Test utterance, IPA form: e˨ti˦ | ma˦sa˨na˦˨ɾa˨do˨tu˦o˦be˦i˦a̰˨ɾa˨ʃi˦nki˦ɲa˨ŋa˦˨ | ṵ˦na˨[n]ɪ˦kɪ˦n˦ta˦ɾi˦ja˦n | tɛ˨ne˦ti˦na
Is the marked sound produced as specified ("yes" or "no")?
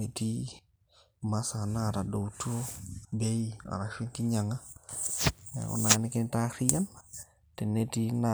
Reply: yes